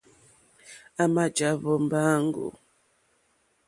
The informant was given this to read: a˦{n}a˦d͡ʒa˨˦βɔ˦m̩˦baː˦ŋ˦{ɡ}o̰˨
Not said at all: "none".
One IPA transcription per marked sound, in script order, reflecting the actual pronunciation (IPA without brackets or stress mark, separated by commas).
m, ɡ